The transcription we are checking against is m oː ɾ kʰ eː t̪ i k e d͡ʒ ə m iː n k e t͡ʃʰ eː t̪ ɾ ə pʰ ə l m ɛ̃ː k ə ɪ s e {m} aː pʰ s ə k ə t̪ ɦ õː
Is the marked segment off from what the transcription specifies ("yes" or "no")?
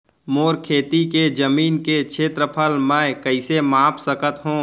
no